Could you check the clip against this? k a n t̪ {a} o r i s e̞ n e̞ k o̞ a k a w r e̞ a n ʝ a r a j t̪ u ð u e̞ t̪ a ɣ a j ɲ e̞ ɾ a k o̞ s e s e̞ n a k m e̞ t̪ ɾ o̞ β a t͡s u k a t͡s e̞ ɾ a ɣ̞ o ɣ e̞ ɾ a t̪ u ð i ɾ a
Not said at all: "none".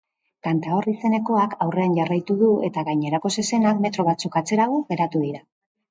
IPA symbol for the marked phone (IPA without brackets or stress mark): a